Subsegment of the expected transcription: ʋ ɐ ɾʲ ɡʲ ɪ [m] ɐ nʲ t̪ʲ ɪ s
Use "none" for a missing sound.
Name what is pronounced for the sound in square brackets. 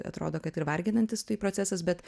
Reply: n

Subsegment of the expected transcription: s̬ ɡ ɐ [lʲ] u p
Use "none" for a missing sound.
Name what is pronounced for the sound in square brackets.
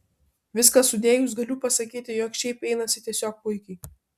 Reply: lʲ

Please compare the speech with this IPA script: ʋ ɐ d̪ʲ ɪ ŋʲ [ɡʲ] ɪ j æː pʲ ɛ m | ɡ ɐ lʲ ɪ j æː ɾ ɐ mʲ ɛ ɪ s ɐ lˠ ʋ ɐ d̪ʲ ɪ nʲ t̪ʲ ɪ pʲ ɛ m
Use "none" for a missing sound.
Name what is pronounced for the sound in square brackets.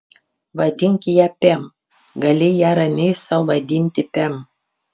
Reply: kʲ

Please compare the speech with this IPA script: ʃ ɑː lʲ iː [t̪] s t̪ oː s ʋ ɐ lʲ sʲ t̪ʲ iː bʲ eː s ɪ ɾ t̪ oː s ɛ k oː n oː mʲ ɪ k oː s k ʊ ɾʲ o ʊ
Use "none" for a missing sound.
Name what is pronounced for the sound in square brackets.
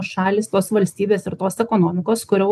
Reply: none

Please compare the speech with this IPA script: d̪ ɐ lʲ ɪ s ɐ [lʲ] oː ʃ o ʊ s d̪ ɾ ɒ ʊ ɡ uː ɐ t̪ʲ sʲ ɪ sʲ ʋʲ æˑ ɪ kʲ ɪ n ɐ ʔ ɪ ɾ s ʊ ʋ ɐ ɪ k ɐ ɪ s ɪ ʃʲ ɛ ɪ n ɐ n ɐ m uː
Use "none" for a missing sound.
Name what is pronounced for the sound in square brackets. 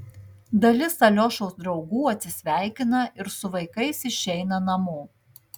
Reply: lʲ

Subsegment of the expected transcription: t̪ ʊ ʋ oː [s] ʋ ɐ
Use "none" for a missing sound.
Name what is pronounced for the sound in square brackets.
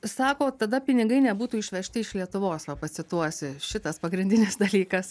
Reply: s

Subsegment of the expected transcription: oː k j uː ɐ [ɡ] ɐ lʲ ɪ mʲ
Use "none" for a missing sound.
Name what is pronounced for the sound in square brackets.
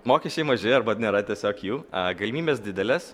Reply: ɡ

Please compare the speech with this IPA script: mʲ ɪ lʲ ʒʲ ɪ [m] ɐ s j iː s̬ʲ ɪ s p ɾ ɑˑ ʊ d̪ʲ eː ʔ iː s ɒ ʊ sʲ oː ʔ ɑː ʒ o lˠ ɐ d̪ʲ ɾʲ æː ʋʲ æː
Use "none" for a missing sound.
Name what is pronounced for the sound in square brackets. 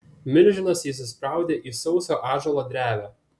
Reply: n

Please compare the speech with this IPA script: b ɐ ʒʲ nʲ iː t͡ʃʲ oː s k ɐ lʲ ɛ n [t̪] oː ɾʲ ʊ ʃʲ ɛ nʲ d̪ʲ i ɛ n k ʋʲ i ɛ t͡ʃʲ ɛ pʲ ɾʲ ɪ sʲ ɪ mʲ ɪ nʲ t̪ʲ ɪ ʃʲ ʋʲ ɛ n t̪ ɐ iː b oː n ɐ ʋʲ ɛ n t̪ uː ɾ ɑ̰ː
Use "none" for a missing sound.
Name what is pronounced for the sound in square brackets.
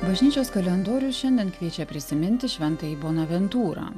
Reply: d̪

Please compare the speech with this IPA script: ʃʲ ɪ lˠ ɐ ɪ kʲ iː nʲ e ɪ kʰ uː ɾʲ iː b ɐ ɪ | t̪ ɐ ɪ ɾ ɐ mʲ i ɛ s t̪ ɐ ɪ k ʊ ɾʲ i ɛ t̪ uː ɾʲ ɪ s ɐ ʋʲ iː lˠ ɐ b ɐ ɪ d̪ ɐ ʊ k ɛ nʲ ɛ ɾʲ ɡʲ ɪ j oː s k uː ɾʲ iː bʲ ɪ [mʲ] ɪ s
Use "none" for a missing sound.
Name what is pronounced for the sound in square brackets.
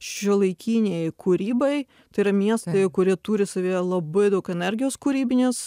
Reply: nʲ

